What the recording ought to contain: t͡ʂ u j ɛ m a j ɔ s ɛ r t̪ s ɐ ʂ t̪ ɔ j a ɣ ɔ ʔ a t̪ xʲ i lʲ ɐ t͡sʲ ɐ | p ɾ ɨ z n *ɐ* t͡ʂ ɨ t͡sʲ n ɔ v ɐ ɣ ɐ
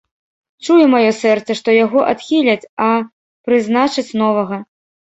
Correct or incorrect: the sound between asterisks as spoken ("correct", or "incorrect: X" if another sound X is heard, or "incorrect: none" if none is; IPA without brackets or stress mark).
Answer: incorrect: a